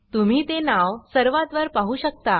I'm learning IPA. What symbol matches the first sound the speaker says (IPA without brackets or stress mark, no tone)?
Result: t̪